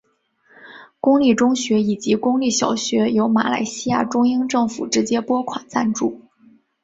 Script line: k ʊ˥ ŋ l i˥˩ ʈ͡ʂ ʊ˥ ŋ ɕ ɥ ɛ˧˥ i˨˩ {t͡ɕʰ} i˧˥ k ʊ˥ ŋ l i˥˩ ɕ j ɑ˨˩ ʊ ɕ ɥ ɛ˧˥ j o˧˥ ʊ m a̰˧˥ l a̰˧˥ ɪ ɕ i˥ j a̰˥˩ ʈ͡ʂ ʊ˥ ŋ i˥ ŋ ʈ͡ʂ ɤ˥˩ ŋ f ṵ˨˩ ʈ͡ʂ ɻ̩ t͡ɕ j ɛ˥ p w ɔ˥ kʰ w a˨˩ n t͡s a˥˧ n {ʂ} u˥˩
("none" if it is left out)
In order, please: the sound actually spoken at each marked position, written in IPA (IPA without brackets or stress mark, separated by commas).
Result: t͡ɕ, ʈ͡ʂ